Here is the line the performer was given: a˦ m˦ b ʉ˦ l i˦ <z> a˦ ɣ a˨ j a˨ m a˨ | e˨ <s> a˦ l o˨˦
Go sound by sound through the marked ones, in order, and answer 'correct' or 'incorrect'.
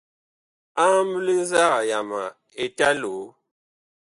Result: correct, incorrect: t

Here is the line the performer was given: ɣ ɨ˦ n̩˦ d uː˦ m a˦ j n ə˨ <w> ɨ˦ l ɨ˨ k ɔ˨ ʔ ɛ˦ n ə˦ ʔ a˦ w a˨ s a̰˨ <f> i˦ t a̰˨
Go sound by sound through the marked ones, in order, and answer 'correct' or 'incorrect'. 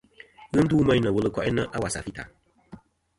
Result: correct, correct

